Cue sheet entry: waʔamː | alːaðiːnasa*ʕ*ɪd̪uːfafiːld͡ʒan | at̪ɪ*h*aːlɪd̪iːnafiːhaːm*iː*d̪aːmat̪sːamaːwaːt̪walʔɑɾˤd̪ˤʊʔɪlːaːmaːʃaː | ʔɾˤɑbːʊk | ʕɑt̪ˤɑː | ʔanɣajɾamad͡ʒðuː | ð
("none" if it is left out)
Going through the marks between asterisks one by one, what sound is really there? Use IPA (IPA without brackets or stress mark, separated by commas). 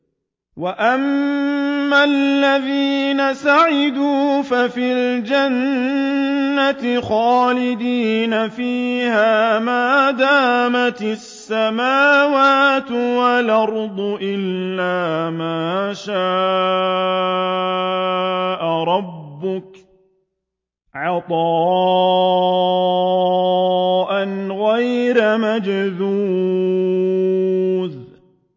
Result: ʕ, x, aː